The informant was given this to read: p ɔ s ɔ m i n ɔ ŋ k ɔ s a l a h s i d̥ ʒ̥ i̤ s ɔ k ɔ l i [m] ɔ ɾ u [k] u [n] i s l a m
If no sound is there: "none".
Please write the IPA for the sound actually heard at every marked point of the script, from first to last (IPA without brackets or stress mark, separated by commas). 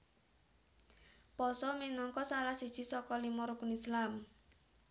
m, k, n